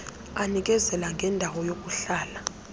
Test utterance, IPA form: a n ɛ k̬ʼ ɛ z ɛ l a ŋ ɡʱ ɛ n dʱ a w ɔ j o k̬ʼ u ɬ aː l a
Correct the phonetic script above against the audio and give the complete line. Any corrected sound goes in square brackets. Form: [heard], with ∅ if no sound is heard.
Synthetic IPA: a n [i] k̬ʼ ɛ z ɛ l a ŋ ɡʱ ɛ n dʱ a w ɔ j o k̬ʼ u ɬ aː l a